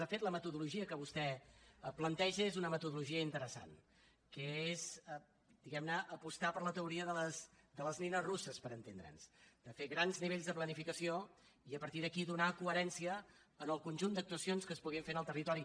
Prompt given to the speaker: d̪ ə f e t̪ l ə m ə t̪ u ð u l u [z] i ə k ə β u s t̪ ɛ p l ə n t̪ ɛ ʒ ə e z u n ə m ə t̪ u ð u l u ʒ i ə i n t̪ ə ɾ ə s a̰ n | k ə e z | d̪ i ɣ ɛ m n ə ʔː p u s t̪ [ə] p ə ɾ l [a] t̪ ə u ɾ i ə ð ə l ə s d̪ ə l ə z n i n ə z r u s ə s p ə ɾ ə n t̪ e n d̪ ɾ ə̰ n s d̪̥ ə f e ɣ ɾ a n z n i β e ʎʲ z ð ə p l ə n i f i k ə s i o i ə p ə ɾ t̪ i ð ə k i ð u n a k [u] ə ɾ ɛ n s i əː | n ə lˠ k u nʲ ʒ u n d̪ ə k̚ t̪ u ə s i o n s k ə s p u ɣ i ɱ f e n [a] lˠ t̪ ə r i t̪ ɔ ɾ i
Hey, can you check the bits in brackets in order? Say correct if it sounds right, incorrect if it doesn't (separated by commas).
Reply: incorrect, incorrect, incorrect, correct, incorrect